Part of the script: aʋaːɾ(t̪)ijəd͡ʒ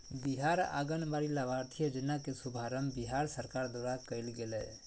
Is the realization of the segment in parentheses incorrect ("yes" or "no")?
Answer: yes